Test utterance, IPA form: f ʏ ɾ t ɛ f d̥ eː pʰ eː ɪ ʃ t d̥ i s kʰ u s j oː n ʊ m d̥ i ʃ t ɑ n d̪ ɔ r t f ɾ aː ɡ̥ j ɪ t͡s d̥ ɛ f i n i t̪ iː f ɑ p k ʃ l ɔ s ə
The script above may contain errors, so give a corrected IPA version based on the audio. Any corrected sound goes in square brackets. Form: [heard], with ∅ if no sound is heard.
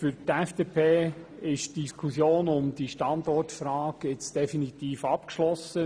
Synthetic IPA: f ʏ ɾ t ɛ f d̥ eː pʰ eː ɪ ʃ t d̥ i s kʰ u s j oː n ʊ m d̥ i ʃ t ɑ n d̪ ɔ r t f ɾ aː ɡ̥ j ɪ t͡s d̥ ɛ f i n i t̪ iː f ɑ p k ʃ l ɔ s ə